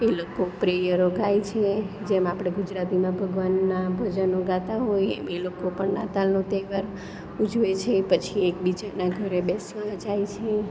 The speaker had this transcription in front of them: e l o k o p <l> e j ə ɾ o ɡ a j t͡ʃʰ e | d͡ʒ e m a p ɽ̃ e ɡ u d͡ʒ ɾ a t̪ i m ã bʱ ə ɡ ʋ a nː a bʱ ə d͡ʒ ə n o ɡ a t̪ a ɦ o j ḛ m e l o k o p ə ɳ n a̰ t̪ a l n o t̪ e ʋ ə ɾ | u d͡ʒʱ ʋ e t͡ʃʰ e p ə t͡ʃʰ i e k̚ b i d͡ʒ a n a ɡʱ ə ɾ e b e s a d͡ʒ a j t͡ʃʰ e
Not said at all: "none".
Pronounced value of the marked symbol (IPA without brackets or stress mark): ɾ